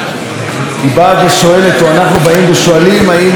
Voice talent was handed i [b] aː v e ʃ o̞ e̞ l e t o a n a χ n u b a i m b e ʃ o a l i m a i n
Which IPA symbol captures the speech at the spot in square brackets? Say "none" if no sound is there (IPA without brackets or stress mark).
b